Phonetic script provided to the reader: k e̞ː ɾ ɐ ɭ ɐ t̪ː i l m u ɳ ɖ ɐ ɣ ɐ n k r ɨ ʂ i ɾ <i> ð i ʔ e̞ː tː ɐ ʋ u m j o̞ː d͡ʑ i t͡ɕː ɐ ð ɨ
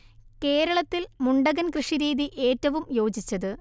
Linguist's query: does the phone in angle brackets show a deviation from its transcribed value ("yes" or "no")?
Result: yes